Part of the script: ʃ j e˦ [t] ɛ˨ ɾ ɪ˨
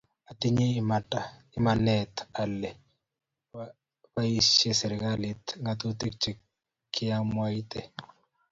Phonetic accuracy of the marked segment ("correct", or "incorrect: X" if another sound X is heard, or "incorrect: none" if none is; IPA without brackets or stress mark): incorrect: s